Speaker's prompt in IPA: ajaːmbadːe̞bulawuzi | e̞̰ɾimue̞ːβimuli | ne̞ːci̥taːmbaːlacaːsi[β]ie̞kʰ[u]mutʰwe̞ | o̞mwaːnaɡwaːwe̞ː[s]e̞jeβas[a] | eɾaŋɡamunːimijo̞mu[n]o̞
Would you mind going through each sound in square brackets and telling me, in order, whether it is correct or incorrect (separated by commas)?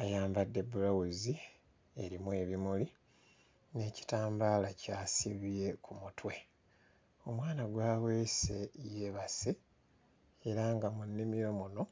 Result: correct, correct, correct, incorrect, correct